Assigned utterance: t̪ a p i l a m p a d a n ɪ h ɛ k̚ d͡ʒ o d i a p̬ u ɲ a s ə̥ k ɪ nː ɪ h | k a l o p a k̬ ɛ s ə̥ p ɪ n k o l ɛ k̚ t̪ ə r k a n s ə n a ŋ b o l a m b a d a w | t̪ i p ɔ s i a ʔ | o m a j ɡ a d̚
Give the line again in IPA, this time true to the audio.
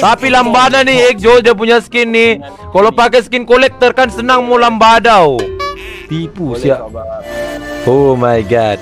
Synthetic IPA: t̪ a p i l a m b a d a n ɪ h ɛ k̚ d͡ʒ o d i a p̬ u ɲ a s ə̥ k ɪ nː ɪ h | k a l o p a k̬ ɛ s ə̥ k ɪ n k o l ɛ k̚ t̪ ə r k a n s ə n a ŋ m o l a m b a d a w | t̪ i p u s i a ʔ | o m a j ɡ a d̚